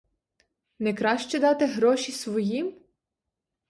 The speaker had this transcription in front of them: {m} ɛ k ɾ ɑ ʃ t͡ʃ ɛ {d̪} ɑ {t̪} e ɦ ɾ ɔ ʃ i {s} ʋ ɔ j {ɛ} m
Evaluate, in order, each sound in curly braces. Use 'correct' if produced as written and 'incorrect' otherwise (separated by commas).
incorrect, correct, correct, correct, incorrect